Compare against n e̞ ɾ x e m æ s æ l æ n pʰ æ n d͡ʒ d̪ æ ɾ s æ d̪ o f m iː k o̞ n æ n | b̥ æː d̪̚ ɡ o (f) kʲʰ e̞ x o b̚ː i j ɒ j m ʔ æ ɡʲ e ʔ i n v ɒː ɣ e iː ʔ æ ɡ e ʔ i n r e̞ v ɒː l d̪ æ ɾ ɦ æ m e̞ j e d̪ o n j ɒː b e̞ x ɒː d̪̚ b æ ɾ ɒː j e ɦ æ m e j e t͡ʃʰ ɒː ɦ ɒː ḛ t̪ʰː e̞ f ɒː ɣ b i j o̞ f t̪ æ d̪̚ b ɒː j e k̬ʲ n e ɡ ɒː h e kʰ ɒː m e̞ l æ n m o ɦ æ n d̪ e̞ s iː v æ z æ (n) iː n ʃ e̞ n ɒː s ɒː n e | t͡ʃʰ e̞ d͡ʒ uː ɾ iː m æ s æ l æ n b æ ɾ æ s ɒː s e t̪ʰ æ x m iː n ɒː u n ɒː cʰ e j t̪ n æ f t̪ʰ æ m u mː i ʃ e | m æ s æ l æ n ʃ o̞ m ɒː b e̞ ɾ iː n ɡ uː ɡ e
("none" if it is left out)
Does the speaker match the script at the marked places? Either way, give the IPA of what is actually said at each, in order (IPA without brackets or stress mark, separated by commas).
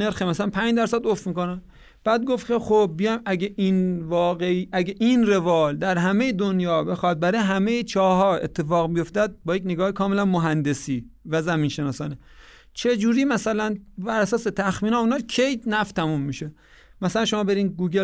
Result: f, m